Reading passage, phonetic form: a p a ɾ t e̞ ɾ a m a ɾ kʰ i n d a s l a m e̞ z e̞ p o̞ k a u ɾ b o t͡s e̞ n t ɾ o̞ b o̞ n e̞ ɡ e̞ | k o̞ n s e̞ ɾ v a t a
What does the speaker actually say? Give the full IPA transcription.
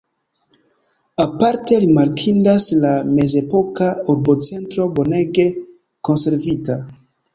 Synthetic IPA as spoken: a p a ɾ t e̞ ɾ i m a ɾ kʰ i n d a s l a m e̞ z e̞ p o̞ k a u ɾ b o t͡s e̞ n t ɾ o̞ b o̞ n e̞ ɡ e̞ | k o̞ n s e̞ ɾ v i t a